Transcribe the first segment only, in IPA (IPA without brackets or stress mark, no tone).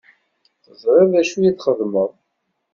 θ